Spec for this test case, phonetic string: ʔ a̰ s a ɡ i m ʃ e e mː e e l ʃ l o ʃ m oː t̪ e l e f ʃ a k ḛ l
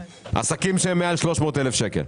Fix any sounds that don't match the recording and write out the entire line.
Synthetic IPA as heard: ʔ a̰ s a k i m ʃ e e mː e a l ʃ l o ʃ m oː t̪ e l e f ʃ e k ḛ l